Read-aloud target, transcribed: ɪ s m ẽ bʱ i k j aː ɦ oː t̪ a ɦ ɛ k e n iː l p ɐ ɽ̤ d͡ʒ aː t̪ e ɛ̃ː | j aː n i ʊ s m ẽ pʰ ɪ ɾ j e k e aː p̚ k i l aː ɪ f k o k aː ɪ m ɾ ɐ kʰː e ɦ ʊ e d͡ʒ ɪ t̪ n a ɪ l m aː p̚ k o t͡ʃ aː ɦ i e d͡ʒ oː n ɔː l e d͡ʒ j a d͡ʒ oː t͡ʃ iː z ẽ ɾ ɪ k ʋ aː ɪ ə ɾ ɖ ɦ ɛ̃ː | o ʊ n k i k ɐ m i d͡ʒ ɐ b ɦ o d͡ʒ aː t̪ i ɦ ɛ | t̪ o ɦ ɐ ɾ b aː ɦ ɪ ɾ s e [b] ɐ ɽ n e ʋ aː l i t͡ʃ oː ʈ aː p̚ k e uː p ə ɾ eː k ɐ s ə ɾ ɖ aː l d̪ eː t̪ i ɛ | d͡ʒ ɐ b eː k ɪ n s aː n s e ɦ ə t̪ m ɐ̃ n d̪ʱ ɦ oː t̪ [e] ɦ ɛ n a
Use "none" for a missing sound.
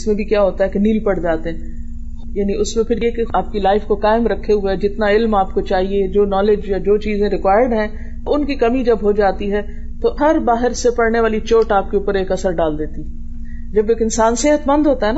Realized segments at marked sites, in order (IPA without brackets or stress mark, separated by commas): p, a